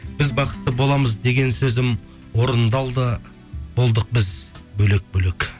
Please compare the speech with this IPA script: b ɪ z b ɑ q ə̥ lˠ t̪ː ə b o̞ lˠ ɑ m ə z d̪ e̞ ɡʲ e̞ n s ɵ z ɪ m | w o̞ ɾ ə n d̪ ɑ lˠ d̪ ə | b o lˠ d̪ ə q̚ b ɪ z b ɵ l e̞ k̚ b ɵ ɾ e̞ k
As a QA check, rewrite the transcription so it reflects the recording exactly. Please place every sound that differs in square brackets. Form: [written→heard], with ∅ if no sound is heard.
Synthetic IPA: b ɪ z b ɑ q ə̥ [lˠ→∅] t̪ː ə b o̞ lˠ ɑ m ə z d̪ e̞ ɡʲ e̞ n s ɵ z ɪ m | w o̞ ɾ ə n d̪ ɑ lˠ d̪ ə | b o lˠ d̪ ə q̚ b ɪ z b ɵ l e̞ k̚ b ɵ [ɾ→l] e̞ k